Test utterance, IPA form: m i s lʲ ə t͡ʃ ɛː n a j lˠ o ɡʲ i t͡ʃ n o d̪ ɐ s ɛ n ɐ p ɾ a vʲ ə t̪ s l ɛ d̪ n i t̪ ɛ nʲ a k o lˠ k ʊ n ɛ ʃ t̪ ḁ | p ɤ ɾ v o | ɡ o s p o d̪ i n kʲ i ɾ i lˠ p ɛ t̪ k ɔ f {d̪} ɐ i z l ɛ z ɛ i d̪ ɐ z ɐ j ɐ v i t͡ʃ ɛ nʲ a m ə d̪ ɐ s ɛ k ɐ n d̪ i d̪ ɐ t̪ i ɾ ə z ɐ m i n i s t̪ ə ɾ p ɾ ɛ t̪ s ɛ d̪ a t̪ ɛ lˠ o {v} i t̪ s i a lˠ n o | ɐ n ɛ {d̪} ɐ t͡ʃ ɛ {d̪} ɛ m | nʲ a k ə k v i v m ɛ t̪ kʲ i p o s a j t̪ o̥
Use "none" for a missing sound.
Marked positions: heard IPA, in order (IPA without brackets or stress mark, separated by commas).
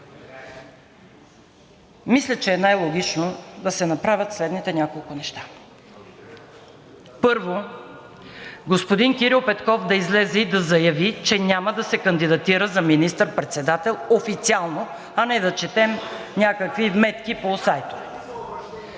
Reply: d̪, f, d̪, t̪